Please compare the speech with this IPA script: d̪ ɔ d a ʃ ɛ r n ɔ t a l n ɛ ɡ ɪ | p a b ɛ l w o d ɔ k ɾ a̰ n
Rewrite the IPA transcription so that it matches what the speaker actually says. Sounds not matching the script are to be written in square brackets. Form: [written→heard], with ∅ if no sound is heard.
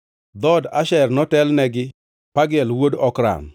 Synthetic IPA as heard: d̪ ɔ d a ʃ ɛ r n ɔ t [a→ɛ] l n ɛ ɡ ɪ | p a [b→ɡ] ɛ l w o d ɔ k ɾ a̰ n